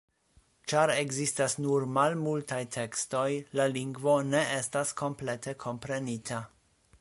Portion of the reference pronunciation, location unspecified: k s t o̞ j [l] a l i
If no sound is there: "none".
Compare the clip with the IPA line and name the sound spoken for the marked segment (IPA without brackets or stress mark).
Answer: l